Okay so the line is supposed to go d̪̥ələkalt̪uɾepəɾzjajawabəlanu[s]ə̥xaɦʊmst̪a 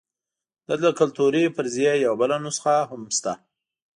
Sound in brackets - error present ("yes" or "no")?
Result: no